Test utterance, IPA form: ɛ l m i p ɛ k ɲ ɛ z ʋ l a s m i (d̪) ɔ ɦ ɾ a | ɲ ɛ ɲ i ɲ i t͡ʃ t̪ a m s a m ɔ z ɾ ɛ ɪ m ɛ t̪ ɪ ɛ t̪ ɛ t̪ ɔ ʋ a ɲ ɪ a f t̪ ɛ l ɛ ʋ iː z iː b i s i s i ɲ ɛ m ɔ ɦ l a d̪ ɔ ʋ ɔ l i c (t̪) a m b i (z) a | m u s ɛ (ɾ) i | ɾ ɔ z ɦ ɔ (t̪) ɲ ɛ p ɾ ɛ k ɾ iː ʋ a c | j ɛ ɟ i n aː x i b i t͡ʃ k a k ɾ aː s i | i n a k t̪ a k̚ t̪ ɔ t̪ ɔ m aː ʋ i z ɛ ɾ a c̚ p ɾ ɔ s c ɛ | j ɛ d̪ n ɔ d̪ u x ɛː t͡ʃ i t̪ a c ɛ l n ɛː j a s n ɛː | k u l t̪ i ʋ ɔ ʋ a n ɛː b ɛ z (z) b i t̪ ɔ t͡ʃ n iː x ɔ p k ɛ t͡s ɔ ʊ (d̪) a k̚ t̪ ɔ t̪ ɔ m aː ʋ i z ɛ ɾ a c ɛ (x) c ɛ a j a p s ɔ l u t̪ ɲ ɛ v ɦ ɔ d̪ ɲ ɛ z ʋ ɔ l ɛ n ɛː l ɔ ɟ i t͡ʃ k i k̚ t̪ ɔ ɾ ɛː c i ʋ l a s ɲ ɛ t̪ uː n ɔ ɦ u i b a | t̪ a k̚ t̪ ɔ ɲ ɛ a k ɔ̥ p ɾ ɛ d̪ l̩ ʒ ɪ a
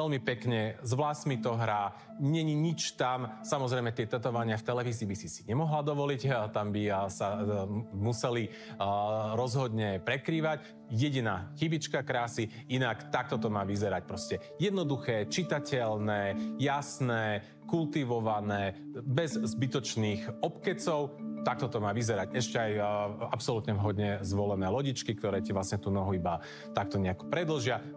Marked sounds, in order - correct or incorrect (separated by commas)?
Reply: incorrect, correct, incorrect, incorrect, incorrect, correct, incorrect, incorrect